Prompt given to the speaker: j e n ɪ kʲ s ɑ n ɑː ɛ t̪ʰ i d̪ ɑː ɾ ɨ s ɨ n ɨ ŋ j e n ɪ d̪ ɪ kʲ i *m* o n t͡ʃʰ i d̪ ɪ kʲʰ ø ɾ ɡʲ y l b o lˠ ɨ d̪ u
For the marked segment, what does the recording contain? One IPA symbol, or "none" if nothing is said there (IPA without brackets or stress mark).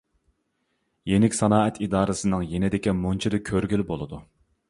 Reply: m